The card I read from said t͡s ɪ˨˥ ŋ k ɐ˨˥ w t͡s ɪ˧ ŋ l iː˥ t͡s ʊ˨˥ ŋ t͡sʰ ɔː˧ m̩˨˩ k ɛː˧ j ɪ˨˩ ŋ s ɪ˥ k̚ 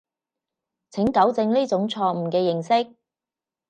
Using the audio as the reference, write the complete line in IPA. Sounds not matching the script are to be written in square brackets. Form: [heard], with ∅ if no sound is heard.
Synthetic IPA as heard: [t͡sʰ] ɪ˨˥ ŋ k ɐ˨˥ w t͡s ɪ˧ ŋ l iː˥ t͡s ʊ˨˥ ŋ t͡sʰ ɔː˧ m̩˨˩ k ɛː˧ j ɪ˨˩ ŋ s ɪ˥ k̚